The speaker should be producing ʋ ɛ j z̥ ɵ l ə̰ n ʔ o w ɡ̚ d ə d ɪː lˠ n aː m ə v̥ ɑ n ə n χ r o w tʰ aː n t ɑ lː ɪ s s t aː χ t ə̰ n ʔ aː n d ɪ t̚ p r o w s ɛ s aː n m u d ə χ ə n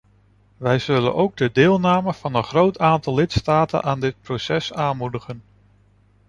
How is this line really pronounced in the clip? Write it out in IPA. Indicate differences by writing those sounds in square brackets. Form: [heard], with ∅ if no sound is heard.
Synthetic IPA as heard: ʋ ɛ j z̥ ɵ l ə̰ n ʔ o w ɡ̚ d ə d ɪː lˠ n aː m ə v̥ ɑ n ə n χ r o w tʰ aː n t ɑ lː ɪ [t] s t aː [∅] t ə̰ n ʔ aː n d ɪ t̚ p r o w s ɛ s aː n m u d ə χ ə n

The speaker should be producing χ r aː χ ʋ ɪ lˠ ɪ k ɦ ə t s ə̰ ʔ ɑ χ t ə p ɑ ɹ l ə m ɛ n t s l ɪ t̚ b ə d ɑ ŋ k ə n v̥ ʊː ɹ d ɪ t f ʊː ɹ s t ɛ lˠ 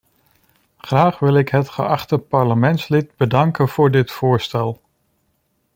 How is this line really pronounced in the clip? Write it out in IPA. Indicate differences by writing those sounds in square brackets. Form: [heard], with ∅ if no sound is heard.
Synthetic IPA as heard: χ r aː χ ʋ ɪ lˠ ɪ k ɦ ə t [χ] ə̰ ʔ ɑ χ t ə p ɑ ɹ l ə m ɛ n t s l ɪ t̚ b ə d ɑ ŋ k ə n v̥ ʊː ɹ d ɪ t f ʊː ɹ s t ɛ lˠ

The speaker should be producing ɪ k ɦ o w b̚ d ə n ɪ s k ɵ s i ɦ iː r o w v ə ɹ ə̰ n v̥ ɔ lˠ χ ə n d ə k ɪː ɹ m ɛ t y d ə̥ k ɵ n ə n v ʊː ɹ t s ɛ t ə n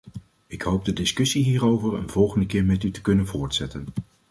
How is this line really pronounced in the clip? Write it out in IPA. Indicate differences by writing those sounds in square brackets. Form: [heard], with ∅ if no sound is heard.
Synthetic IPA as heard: ɪ k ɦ o w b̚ d ə [d] ɪ s k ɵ s i ɦ iː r o w v ə ɹ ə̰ n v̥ ɔ lˠ χ ə n d ə k ɪː ɹ m ɛ t y [t] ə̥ k ɵ n ə n v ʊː ɹ t s ɛ t ə n

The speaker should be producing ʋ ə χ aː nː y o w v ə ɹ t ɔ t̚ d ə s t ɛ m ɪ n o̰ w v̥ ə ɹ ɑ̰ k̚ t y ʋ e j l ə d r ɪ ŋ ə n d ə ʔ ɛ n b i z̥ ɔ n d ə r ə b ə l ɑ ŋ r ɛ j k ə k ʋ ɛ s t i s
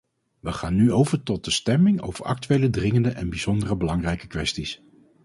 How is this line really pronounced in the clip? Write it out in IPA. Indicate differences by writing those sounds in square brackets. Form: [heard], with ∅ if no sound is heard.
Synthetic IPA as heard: ʋ ə χ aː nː y o w v ə ɹ t ɔ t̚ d ə s t ɛ m ɪ [ŋ] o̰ w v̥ ə ɹ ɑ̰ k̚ t y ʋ e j l ə d r ɪ ŋ ə n d ə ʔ ɛ n b i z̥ ɔ n d ə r ə b ə l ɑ ŋ r ɛ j k ə k ʋ ɛ s t i s

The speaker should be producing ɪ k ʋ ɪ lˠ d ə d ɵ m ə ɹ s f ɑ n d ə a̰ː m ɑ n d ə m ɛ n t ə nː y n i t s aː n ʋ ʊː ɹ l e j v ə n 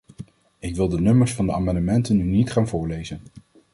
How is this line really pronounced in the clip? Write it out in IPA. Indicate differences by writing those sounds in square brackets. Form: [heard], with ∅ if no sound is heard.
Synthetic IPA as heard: ɪ k ʋ ɪ lˠ d ə [n] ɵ m ə ɹ s f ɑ n d ə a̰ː m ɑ n d ə m ɛ n t ə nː y n i t [χ] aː n [v] ʊː ɹ l e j [z] ə n

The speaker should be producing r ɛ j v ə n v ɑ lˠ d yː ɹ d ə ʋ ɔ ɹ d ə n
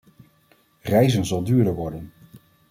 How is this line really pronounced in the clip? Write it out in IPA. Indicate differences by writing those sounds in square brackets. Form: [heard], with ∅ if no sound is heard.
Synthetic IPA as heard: r ɛ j [z] ə n [z] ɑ lˠ d yː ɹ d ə ʋ ɔ ɹ d ə n

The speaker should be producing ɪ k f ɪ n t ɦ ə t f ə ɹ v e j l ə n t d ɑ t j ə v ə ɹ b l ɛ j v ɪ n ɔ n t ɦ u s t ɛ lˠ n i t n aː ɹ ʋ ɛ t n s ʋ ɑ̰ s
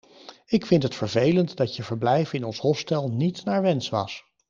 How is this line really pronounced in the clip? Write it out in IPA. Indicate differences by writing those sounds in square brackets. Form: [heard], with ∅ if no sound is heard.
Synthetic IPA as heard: ɪ k f ɪ n t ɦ ə t f ə ɹ v e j l ə n t d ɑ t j ə v ə ɹ b l ɛ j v ɪ n ɔ n [s] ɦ [ɔ] s t ɛ lˠ n i t n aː ɹ ʋ ɛ [∅] n s ʋ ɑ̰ s

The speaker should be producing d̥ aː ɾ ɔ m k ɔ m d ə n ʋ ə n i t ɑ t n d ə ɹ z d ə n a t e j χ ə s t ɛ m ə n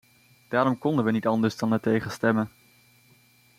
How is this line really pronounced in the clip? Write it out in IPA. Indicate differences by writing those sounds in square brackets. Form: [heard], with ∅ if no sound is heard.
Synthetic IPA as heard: d̥ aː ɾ ɔ m k ɔ [n] d ə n ʋ ə n i t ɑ [∅] n d ə ɹ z d [ɑ] n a t e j χ ə s t ɛ m ə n

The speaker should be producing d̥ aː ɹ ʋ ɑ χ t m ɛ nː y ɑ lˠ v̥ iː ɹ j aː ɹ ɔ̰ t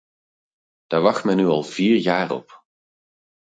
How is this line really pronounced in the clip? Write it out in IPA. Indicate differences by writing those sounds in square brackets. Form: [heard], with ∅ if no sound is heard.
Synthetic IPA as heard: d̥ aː ɹ ʋ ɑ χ t m ɛ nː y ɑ lˠ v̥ iː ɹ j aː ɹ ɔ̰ [p]

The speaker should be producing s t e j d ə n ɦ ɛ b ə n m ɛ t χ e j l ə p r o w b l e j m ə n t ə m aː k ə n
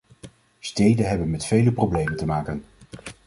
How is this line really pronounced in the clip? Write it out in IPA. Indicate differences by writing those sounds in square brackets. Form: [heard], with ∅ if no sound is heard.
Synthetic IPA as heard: s t e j d ə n ɦ ɛ b ə n m ɛ t [f] e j l ə p r o w b l e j m ə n t ə m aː k ə n

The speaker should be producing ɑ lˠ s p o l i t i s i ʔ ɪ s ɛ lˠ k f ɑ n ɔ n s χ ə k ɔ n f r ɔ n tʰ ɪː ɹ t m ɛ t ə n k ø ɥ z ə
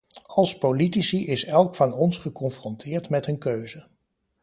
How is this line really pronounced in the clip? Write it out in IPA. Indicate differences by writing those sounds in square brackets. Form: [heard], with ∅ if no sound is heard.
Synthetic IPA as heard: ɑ lˠ s p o l i t i s i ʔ ɪ s ɛ lˠ k f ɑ n ɔ n s χ ə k ɔ n f r ɔ n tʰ ɪː ɹ t m ɛ t ə n k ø ɥ z ə

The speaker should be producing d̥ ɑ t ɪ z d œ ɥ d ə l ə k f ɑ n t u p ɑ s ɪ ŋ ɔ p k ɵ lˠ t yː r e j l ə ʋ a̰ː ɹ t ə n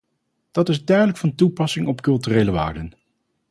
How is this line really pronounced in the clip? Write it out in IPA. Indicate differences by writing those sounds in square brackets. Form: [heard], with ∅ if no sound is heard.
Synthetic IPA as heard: d̥ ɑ t ɪ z d œ ɥ d ə l ə k f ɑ n t u p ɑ s ɪ ŋ ɔ p k ɵ lˠ t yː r e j l ə ʋ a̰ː ɹ [d] ə n

